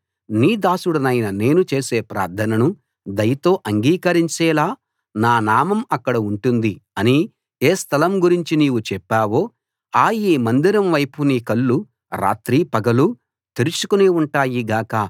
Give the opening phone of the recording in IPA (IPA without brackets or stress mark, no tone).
n